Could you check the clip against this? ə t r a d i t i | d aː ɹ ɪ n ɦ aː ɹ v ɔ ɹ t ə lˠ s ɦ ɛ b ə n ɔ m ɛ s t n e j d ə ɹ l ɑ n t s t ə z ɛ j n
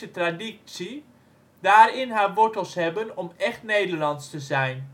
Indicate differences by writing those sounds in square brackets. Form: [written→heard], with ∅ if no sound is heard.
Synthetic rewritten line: ə t r a d i [t→s] i | d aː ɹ ɪ n ɦ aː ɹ [v→ʋ] ɔ ɹ t ə lˠ s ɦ ɛ b ə n ɔ m ɛ [s→χ] t n e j d ə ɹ l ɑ n t s t ə z ɛ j n